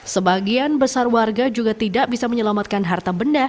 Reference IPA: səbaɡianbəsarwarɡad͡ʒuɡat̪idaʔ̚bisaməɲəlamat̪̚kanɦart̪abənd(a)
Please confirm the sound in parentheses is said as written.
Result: yes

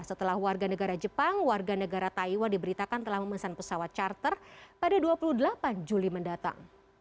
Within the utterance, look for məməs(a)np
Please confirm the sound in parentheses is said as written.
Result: yes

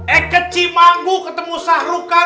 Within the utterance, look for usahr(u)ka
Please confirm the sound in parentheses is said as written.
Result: yes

